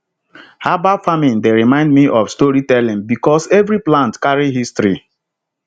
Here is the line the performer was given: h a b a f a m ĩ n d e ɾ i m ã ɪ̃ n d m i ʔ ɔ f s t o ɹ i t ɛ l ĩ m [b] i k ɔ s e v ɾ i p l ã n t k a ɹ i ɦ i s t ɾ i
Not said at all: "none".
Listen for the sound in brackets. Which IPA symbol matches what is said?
b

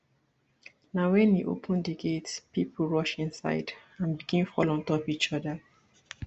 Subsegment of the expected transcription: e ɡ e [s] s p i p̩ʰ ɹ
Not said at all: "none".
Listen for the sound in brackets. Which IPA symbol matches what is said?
t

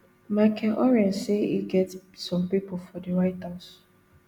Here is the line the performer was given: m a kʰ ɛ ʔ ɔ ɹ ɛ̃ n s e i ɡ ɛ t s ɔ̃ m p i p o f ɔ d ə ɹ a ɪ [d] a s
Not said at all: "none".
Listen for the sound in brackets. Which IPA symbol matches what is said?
t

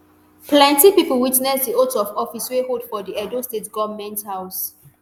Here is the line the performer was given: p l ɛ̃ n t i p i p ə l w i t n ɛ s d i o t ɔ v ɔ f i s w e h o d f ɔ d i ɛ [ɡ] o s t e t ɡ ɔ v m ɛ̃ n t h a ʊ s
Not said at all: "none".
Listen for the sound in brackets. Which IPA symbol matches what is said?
d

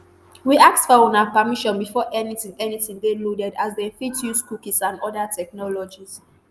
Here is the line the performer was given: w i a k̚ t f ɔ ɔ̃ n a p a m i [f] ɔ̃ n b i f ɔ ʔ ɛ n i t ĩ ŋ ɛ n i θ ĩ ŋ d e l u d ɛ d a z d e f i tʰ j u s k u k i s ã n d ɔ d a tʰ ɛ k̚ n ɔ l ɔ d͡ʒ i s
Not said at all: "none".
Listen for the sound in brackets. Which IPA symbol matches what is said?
ʃ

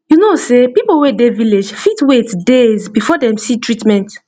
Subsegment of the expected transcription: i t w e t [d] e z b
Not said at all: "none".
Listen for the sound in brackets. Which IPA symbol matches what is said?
d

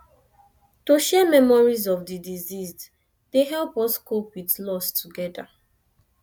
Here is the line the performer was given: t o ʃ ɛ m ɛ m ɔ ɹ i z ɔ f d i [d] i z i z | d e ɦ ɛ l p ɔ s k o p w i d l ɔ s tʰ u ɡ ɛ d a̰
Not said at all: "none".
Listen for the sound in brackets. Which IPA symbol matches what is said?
d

